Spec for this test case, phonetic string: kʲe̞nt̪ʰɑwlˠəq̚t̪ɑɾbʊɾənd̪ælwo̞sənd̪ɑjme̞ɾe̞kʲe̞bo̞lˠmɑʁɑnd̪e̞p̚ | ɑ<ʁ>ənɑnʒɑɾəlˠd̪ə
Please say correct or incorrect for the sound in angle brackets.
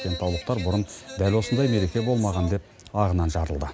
correct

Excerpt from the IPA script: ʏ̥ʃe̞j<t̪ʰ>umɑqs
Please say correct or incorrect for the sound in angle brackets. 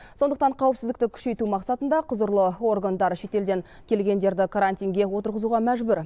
incorrect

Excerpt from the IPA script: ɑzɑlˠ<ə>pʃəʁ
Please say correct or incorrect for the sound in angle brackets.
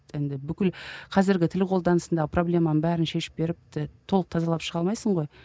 incorrect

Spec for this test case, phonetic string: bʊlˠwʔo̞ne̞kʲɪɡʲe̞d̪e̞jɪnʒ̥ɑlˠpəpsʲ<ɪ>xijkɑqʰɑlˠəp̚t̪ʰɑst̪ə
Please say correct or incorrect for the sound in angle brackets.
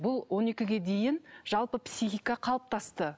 incorrect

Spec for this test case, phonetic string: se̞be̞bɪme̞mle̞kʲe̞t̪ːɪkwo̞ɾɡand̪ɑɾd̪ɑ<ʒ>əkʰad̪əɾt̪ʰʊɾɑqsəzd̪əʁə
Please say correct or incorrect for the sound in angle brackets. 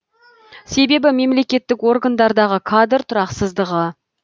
incorrect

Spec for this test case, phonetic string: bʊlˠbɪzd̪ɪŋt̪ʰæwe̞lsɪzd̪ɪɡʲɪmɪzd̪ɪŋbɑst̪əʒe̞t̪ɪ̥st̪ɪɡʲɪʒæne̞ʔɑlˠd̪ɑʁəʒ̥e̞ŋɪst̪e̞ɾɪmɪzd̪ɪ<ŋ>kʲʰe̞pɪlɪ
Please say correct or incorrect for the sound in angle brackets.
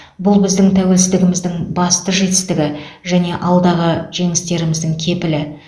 correct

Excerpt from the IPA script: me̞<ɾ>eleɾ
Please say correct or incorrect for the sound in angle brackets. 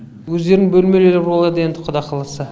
incorrect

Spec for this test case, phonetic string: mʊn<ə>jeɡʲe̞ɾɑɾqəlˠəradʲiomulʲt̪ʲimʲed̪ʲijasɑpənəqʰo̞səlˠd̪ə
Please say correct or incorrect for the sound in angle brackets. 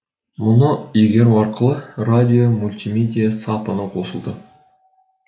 correct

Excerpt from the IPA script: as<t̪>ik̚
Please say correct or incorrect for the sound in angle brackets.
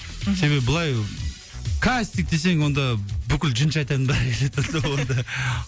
correct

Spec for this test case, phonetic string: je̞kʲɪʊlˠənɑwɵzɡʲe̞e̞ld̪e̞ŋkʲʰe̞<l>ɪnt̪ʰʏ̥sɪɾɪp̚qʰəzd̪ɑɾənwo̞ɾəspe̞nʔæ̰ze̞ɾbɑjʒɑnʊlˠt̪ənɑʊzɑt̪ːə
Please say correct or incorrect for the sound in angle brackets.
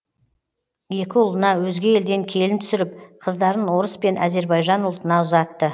correct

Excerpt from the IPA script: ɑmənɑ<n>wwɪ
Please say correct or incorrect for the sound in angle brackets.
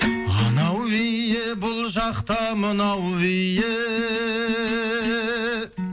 incorrect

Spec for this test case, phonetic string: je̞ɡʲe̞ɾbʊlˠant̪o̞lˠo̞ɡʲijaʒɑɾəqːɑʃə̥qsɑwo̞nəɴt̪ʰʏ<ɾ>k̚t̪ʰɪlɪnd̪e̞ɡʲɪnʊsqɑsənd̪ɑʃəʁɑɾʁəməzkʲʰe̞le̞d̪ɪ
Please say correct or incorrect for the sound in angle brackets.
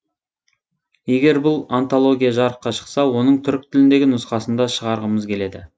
correct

